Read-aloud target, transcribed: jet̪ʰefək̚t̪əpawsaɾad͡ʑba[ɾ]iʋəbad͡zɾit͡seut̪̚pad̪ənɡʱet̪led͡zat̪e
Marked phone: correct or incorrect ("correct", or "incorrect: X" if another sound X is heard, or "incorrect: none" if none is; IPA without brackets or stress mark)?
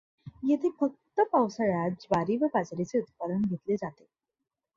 correct